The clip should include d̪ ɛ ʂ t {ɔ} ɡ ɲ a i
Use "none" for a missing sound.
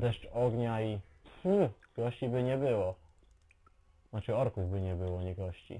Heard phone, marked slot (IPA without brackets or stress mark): ɔ